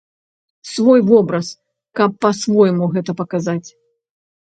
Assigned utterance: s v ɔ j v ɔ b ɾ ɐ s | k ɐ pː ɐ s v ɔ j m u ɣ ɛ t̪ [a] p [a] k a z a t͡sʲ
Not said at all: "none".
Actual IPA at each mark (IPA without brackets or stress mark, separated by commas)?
ɐ, ɐ